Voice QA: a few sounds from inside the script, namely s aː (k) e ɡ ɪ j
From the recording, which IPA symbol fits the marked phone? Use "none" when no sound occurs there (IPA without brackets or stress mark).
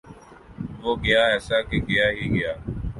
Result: k